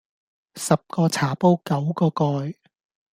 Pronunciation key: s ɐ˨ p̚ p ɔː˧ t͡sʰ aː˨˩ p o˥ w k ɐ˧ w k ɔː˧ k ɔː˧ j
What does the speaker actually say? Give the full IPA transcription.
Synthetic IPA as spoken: s ɐ˨ p̚ k ɔː˧ t͡sʰ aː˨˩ p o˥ w k ɐ˨˥ w k ɔː˧ k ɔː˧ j